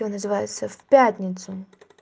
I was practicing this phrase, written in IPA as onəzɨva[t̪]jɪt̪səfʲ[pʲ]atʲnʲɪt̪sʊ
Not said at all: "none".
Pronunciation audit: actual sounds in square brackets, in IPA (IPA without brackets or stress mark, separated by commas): none, pʲ